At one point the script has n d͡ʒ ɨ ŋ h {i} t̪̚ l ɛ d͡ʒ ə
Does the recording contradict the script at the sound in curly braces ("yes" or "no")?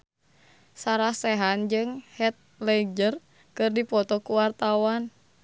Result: yes